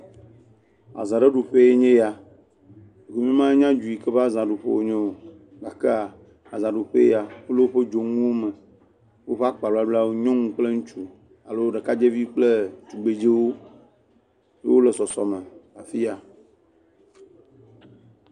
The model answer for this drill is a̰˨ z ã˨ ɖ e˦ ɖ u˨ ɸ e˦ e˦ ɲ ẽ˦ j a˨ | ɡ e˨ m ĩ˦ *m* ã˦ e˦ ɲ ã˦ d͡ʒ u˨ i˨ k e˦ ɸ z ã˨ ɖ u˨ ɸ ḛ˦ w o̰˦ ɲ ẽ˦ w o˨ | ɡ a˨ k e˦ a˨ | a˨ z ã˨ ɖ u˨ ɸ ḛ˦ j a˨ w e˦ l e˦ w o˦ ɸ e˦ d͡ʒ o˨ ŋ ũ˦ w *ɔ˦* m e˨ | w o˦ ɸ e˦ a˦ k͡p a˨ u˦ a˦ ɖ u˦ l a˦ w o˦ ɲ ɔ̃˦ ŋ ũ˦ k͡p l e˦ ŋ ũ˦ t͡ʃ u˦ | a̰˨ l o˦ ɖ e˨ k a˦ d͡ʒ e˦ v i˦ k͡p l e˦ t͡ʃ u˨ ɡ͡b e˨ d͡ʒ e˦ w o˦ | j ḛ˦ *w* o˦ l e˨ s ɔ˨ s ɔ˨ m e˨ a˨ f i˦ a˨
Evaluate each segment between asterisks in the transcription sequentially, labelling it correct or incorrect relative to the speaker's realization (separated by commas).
correct, incorrect, correct